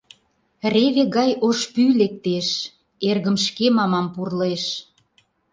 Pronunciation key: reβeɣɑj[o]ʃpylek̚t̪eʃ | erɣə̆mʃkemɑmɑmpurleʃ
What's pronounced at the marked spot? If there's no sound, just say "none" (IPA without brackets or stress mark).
o